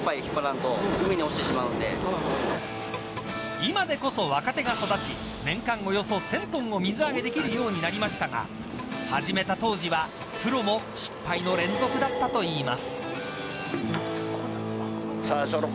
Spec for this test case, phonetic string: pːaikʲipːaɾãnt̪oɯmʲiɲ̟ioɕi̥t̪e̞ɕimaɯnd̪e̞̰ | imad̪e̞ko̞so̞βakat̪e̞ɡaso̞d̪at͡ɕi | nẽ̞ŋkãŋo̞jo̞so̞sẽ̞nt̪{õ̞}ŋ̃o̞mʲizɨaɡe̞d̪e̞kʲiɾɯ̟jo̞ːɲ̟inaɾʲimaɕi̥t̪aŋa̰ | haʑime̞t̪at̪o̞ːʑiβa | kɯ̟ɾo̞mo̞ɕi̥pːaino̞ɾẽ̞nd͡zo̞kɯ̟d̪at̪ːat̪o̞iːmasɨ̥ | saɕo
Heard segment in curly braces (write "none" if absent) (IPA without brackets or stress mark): õ̞